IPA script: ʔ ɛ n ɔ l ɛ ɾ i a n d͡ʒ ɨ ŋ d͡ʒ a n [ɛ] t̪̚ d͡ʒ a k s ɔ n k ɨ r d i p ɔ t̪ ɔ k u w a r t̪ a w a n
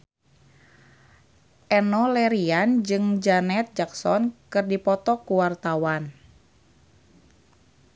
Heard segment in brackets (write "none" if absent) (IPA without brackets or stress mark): ɛ